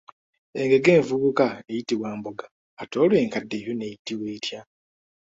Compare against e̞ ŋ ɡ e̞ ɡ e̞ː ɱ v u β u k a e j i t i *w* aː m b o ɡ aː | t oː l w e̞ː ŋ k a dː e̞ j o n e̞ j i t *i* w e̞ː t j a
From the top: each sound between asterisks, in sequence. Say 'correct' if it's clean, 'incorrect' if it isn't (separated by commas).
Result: correct, correct